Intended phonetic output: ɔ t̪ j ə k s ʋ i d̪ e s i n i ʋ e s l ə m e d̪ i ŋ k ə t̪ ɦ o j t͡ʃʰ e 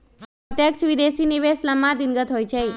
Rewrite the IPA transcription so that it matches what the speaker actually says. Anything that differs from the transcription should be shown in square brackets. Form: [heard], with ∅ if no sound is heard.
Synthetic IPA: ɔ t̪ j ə k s ʋ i d̪ e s i n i ʋ e s l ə m [a] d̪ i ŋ [ɡ] ə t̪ ɦ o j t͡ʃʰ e